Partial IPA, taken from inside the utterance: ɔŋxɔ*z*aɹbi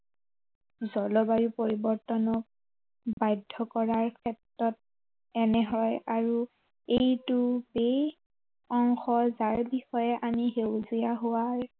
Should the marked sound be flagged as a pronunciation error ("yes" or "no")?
no